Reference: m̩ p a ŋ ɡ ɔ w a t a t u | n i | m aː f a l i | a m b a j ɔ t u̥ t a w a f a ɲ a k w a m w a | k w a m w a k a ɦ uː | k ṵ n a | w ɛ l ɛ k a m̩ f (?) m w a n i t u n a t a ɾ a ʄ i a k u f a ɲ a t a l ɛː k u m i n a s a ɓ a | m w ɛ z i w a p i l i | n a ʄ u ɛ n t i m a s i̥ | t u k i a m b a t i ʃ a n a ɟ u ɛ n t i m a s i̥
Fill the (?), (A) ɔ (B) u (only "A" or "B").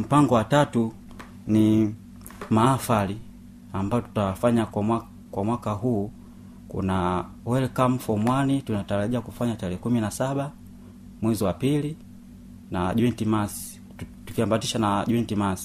A